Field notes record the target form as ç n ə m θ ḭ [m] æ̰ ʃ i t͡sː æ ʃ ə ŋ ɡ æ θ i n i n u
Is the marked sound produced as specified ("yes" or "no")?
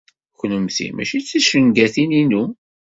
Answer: yes